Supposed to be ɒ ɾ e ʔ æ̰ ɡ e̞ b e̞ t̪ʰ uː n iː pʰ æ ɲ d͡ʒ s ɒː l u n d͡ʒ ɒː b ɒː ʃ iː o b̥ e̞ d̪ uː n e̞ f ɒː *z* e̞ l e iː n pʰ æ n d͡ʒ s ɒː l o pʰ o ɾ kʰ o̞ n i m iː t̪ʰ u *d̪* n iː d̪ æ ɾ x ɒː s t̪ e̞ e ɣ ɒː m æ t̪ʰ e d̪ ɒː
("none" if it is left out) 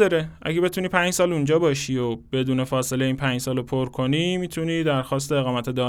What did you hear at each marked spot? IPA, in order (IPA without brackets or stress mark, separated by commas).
s, none